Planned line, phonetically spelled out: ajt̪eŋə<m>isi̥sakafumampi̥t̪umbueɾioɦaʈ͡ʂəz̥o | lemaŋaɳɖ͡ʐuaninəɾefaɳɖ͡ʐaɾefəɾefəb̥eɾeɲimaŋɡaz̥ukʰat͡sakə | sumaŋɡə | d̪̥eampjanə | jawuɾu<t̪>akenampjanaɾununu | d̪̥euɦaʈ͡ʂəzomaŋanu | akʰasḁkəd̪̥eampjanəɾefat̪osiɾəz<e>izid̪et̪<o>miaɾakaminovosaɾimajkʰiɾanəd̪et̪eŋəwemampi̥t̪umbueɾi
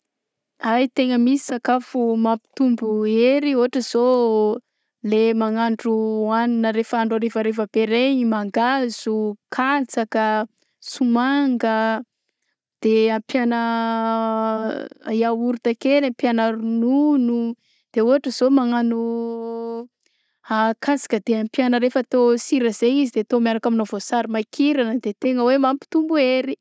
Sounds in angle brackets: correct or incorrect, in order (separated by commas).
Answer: correct, correct, correct, correct